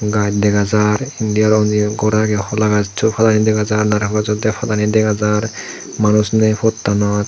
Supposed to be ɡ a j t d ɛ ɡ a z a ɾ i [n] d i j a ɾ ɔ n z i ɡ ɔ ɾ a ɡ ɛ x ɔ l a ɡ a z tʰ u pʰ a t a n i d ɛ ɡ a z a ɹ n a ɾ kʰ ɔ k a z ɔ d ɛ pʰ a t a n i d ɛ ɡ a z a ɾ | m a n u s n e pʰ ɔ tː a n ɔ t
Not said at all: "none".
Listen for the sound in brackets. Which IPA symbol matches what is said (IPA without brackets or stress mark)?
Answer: n